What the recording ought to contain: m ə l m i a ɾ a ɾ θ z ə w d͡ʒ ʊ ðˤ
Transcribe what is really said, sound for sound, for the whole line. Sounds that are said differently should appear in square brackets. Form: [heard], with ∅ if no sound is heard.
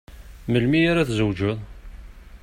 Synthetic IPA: m ə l m i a ɾ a [∅] θ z ə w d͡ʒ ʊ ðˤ